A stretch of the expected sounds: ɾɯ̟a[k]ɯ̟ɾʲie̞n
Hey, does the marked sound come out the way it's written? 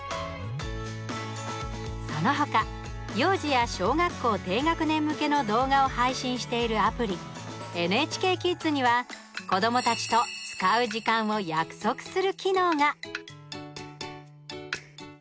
no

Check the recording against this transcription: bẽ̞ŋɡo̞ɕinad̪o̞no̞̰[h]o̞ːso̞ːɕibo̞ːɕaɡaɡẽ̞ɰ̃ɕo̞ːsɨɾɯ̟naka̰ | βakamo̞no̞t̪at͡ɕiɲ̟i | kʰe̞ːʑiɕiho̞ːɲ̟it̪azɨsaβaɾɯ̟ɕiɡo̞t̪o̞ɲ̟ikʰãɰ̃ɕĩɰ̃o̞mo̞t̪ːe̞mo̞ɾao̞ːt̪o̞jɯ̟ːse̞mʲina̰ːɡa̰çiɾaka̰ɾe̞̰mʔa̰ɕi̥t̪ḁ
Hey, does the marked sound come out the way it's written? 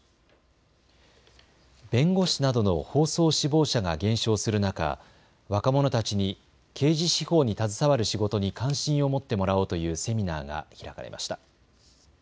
yes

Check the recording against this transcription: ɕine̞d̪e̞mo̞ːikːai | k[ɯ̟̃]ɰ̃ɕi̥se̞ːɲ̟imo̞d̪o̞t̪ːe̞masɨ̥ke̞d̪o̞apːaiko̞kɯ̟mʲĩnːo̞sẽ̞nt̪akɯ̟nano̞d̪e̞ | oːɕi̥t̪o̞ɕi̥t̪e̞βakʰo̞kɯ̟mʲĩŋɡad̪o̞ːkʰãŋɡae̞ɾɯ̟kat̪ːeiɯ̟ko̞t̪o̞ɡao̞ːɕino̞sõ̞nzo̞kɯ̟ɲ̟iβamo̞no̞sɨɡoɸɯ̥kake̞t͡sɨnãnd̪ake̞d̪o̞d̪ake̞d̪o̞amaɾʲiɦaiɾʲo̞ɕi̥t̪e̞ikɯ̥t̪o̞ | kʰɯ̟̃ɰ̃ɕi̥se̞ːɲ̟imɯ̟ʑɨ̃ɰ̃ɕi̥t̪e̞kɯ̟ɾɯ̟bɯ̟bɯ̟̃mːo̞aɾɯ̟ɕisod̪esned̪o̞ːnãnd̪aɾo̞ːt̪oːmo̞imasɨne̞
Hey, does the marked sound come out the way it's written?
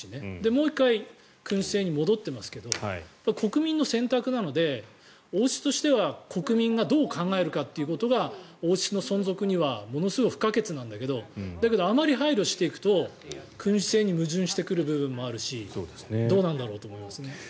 yes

